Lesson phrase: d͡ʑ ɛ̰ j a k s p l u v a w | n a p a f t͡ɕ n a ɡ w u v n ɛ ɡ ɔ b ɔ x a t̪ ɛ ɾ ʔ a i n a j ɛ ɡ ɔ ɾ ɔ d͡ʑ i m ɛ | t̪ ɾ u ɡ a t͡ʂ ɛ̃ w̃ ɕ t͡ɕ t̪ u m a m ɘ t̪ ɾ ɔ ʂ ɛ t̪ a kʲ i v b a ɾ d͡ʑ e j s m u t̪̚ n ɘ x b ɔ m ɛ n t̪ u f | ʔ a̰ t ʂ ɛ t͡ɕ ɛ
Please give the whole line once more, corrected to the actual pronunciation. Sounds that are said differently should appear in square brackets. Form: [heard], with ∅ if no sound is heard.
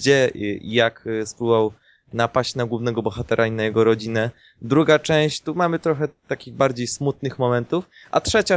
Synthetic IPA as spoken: d͡ʑ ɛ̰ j a k s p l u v a w | n a p a [ɕ] t͡ɕ n a ɡ w u v n ɛ ɡ ɔ b ɔ x a t̪ ɛ ɾ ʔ a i n a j ɛ ɡ ɔ ɾ ɔ d͡ʑ i [n] ɛ | [d̪] ɾ u ɡ a t͡ʂ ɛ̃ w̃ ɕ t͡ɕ t̪ u m a m ɘ t̪ ɾ ɔ [x] ɛ t̪ a kʲ i [ɣ] b a ɾ d͡ʑ e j s m u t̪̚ n ɘ x [m] ɔ m ɛ n t̪ u f | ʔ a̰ t ʂ ɛ t͡ɕ [a]